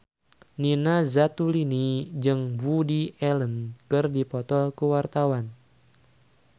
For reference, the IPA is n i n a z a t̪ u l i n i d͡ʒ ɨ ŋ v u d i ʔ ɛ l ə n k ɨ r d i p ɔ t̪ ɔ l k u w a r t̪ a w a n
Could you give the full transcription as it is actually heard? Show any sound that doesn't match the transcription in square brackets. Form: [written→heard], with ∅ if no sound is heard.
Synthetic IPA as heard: n i n a z a t̪ u l i n i d͡ʒ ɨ ŋ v u d i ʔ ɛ l ə n k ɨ r d i p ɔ t̪ ɔ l k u w a r t̪ a w a n

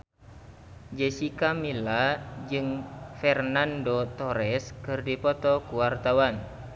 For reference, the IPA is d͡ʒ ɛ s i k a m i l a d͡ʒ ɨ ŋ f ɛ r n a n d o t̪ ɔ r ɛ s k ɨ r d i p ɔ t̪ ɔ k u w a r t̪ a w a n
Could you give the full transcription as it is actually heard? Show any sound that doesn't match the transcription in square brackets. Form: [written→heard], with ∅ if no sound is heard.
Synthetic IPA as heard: d͡ʒ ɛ s i k a m i l a d͡ʒ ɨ ŋ f ɛ r n a n d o t̪ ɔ [r→ɾ] ɛ s k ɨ r d i p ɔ t̪ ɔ k u w a r t̪ a w a n

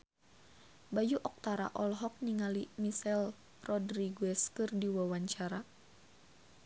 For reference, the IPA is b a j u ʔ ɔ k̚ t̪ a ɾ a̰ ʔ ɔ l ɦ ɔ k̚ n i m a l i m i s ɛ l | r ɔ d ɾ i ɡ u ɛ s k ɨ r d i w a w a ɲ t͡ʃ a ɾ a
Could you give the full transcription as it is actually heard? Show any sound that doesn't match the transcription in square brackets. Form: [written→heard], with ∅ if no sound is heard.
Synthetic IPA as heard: b a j u ʔ ɔ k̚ t̪ a ɾ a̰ ʔ ɔ l ɦ ɔ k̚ n i [m→ŋ] a l i m i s ɛ l | r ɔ d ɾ i ɡ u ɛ s k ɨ r d i w a w a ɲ t͡ʃ a ɾ a

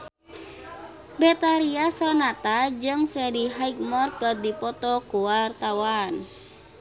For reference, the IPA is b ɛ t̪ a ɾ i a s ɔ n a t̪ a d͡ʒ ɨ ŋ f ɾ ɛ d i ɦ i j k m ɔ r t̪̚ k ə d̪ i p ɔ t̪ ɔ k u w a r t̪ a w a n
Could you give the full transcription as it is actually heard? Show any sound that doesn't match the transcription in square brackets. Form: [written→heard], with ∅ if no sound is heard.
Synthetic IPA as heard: b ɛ t̪ a ɾ i a s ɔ n a t̪ a d͡ʒ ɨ ŋ f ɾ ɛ d i ɦ [i→a] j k m ɔ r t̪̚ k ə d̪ i p ɔ t̪ ɔ k u w a r t̪ a w a n

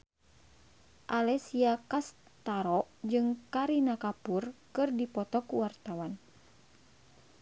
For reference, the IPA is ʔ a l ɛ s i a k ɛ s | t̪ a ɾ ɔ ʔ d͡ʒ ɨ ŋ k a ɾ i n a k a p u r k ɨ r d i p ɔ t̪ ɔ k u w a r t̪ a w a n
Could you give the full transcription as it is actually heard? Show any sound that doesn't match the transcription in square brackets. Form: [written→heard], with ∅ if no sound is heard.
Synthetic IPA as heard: ʔ a l ɛ s i a k [ɛ→a] s | t̪ a ɾ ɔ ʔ d͡ʒ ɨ ŋ k a ɾ i n a k a p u r k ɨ r d i p ɔ t̪ ɔ k u w a r t̪ a w a n

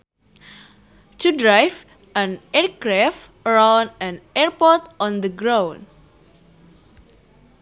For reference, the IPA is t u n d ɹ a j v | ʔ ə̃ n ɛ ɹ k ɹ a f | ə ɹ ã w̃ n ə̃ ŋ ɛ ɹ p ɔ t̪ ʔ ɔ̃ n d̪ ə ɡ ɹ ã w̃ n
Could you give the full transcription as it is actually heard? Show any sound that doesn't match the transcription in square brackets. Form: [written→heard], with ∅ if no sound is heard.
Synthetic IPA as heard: t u [n→∅] d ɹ a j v | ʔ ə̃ n ɛ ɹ k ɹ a f | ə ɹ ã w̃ n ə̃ [ŋ→n] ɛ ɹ p ɔ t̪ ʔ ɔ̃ n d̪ ə ɡ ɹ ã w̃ n

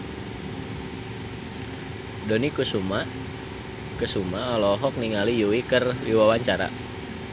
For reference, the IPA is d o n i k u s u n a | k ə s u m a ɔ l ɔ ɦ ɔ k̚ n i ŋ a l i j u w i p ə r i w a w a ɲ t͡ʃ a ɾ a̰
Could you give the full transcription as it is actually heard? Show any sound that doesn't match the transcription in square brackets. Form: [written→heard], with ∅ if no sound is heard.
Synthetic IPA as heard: d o n i k u s u [n→m] a | k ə s u m a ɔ l ɔ ɦ ɔ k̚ n i ŋ a l i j u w i [p→k] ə r i w a w a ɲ t͡ʃ a ɾ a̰

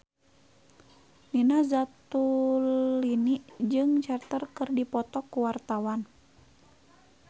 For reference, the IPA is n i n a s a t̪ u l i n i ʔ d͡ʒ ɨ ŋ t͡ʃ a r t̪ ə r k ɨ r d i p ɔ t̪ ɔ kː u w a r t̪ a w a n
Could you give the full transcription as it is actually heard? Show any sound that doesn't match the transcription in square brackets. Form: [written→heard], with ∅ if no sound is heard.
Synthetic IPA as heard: n i n a [s→z] a t̪ u l i n i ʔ d͡ʒ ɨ ŋ t͡ʃ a r t̪ ə r k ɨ r d i p ɔ t̪ ɔ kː u w a r t̪ a w a n

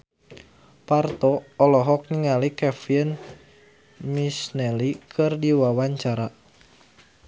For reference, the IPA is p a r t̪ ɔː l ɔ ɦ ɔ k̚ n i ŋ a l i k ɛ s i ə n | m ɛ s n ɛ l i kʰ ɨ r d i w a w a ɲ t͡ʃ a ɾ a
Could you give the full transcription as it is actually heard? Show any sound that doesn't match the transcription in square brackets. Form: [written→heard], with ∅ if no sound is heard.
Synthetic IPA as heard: p a r t̪ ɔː l ɔ ɦ ɔ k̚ n i ŋ a l i k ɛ [s→f] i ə n | m [ɛ→i] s n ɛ l i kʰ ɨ r d i w a w a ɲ t͡ʃ a ɾ a

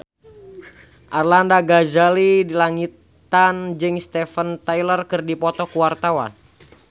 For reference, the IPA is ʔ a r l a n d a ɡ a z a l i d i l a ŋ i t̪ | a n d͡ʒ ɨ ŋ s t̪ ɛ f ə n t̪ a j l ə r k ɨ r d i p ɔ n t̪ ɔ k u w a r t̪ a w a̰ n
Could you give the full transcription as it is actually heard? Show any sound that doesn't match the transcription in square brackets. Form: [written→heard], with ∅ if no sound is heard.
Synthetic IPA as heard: ʔ a r l a n d a ɡ a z a l i d i l a ŋ i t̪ | a n d͡ʒ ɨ ŋ s t̪ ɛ f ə n t̪ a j l ə r k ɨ r d i p ɔ [n→∅] t̪ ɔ k u w a r t̪ a w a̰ n

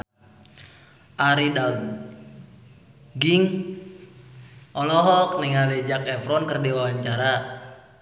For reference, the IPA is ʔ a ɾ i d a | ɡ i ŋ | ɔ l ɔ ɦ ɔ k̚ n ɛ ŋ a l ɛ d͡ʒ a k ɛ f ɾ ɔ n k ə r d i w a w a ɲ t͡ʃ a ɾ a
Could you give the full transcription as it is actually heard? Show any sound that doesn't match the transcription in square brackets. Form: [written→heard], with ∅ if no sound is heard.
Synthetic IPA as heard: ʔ a ɾ i d a | ɡ i ŋ | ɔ l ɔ ɦ ɔ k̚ n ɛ ŋ a l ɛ d͡ʒ a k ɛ f ɾ ɔ n k ə r d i w a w a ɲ t͡ʃ a ɾ a

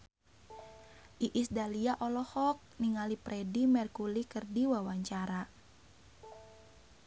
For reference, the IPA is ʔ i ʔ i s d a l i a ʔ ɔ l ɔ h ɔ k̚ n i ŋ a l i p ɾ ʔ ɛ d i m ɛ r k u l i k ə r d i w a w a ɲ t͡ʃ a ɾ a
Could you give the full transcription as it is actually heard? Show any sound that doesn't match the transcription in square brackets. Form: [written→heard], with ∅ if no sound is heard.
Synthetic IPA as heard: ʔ i ʔ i s d a l i a ʔ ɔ l ɔ h ɔ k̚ n i ŋ a l i p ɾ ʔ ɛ d i m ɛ r k u l i k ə r d i w a w a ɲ t͡ʃ a ɾ a

